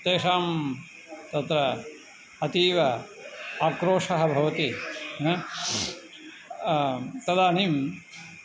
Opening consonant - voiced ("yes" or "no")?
no